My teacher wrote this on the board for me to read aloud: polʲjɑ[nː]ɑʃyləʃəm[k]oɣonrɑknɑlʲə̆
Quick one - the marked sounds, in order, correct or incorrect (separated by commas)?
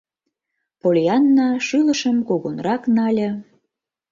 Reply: correct, correct